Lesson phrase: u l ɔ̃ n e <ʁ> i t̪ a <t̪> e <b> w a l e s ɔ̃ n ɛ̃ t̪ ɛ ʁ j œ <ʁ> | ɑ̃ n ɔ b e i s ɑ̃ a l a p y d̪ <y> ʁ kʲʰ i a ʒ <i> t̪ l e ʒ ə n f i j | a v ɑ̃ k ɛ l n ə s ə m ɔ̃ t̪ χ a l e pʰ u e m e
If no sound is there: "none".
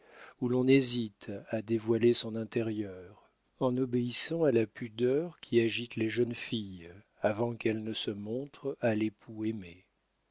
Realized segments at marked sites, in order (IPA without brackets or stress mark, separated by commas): z, d̪, v, ʁ, œ, i